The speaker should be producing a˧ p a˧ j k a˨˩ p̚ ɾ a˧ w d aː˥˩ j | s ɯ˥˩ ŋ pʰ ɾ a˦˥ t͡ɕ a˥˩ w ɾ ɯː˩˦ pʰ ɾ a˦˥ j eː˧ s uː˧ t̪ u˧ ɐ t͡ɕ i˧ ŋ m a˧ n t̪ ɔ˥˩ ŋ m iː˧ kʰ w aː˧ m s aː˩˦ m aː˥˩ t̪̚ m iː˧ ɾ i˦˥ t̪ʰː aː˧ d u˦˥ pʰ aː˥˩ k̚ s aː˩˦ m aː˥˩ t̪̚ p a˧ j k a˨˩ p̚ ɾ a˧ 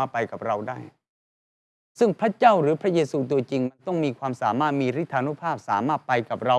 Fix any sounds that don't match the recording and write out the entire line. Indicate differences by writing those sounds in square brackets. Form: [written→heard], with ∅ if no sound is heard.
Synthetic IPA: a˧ p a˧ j k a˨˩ p̚ ɾ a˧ w d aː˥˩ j | s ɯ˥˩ ŋ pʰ ɾ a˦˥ t͡ɕ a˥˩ w ɾ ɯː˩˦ pʰ ɾ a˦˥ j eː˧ s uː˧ t̪ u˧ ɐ t͡ɕ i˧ ŋ m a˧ n t̪ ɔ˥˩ ŋ m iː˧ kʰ w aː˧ m s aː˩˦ m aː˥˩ t̪̚ m iː˧ ɾ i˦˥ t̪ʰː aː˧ [d→n] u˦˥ pʰ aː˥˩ [k̚→p̚] s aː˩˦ m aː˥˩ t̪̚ p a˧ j k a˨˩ p̚ ɾ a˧